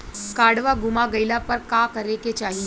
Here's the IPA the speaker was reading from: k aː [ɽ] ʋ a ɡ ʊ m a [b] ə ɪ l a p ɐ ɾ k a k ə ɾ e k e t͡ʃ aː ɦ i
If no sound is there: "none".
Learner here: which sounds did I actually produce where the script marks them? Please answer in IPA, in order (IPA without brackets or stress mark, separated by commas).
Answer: ɽ, ɡ